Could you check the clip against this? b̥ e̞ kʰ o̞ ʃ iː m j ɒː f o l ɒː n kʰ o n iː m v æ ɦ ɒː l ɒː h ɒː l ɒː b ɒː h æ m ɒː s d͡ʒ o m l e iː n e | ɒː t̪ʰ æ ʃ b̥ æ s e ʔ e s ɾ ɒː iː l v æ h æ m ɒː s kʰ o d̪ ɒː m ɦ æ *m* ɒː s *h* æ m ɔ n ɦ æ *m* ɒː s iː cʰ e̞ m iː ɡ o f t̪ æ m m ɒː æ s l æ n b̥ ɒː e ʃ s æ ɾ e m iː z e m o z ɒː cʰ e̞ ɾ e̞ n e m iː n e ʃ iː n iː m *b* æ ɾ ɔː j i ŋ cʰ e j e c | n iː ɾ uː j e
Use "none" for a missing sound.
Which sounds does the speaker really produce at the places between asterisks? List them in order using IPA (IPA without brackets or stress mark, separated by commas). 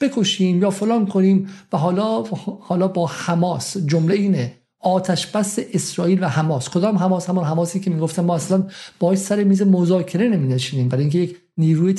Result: m, h, m, b